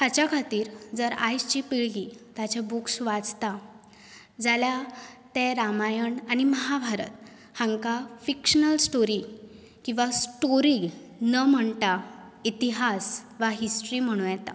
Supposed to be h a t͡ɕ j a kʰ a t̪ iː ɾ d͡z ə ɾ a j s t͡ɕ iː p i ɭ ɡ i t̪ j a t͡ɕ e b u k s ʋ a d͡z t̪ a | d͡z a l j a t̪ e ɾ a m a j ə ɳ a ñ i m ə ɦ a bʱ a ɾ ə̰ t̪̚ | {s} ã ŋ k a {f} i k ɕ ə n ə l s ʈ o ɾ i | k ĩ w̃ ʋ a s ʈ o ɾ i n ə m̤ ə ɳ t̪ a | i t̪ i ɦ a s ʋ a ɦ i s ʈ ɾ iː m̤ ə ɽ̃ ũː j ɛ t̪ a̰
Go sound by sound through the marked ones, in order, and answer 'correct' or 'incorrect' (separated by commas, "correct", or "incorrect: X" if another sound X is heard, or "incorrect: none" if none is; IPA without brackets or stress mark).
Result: incorrect: h, correct